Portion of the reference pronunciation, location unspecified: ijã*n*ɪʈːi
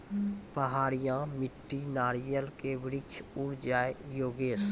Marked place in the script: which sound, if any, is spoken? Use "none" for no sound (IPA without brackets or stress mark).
m